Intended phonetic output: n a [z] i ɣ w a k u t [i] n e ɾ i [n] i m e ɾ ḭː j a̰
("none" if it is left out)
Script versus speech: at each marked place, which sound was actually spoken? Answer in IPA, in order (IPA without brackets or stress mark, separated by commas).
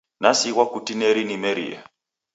s, i, n